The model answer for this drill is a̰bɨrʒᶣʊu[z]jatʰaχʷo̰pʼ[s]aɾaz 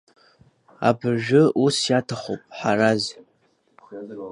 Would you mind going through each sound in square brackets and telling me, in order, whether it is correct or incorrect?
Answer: incorrect: s, incorrect: ħ

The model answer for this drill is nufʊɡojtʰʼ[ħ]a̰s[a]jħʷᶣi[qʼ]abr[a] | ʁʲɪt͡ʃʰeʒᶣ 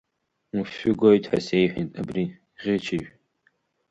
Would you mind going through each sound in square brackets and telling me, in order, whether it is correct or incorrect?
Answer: correct, incorrect: e, incorrect: tʼ, incorrect: i

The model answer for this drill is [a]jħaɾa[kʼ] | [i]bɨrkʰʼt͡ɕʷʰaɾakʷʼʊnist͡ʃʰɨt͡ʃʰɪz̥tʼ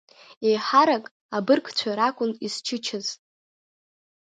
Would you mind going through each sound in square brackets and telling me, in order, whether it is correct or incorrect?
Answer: incorrect: e, correct, incorrect: a

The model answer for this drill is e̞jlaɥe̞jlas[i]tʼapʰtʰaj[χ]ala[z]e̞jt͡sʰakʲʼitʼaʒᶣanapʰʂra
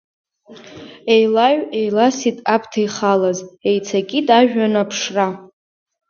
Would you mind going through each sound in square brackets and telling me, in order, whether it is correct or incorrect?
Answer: correct, correct, correct

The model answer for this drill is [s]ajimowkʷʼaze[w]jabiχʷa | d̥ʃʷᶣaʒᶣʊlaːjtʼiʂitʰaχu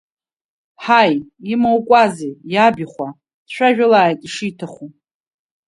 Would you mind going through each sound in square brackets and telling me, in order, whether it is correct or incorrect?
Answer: incorrect: ħ, incorrect: none

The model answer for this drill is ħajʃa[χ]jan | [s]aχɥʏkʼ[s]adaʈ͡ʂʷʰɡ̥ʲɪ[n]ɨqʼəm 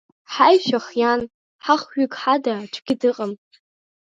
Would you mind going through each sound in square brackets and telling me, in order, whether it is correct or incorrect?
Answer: correct, incorrect: ħ, incorrect: ħ, incorrect: d

